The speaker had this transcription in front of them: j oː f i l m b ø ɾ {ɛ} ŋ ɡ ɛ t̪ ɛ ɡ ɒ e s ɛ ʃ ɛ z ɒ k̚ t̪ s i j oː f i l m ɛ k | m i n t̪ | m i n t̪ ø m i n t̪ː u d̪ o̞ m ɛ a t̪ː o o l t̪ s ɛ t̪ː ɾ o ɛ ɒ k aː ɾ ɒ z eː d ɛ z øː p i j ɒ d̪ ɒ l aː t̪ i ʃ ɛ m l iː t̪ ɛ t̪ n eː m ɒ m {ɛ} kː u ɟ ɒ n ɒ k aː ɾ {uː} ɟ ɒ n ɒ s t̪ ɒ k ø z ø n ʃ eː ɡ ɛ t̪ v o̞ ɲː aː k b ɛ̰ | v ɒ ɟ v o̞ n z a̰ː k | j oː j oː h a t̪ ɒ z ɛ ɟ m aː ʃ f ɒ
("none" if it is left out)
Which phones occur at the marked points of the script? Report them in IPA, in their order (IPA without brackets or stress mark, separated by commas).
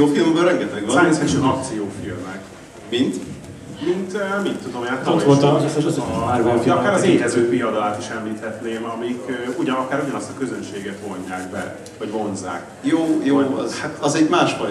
ɛ, i, u